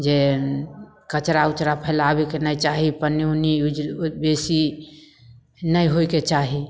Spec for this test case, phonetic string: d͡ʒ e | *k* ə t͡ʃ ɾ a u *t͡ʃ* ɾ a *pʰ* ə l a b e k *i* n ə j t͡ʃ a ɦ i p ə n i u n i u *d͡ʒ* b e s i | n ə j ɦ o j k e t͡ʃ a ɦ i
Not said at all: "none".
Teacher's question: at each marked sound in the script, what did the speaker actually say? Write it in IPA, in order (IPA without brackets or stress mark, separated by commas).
k, t͡ʃ, pʰ, e, d͡ʒ